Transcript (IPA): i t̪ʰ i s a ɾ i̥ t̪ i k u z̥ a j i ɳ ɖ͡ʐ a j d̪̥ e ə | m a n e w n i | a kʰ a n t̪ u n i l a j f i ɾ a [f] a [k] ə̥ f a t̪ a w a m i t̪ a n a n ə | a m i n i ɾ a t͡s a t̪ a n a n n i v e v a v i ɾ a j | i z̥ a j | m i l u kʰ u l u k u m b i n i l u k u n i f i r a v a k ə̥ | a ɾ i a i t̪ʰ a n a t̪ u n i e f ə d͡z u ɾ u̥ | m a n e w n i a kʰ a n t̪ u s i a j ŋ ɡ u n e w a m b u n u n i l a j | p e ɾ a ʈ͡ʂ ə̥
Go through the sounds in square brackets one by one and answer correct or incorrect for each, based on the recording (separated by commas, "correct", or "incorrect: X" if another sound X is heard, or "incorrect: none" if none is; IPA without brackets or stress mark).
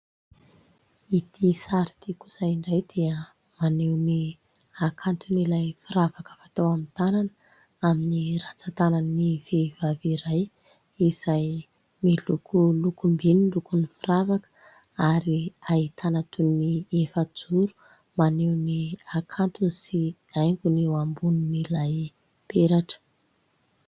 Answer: incorrect: v, correct